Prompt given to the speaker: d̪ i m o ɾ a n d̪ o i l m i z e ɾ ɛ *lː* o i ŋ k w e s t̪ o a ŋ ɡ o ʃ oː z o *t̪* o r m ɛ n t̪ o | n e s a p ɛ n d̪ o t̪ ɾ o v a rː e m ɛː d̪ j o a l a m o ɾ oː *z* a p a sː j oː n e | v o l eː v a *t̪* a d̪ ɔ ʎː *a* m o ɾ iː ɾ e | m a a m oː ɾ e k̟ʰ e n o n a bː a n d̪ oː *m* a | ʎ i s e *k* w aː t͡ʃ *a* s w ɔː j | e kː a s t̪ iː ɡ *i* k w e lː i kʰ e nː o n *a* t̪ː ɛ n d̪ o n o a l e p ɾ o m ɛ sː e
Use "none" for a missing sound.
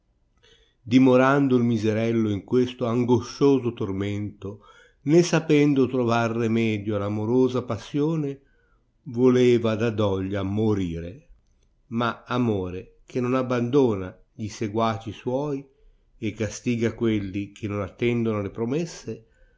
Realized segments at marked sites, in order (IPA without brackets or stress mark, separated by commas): lː, t̪, z, d̪, a, n, ɡ, i, a, a